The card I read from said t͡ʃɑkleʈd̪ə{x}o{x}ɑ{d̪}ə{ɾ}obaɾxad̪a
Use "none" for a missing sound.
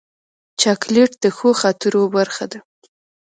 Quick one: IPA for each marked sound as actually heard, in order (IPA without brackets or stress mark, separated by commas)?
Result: x, x, t̪, ɾ